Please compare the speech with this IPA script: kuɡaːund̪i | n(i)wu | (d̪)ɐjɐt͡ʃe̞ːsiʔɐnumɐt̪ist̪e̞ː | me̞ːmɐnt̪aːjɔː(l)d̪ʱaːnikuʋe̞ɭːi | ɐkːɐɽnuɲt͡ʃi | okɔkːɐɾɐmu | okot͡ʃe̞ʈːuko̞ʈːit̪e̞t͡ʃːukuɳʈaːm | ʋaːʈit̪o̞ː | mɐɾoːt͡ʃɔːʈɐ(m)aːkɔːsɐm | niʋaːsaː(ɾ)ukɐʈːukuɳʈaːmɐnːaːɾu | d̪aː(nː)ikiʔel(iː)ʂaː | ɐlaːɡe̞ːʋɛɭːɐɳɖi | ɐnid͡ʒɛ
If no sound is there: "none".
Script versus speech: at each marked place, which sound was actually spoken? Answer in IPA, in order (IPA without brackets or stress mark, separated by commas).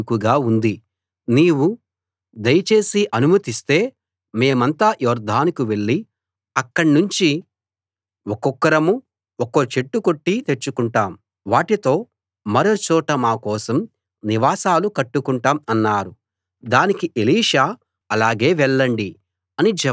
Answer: iː, d̪, ɾ, m, l, n, iː